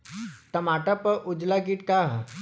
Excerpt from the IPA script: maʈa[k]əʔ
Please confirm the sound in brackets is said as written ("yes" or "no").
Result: no